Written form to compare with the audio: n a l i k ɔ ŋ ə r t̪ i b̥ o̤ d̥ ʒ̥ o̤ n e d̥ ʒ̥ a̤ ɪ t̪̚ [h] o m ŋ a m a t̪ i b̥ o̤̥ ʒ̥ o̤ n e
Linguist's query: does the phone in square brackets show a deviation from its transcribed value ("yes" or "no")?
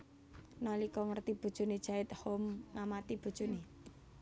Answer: no